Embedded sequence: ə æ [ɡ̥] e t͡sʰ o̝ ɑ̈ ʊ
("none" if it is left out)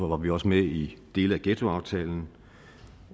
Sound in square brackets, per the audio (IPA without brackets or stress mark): ɡ̥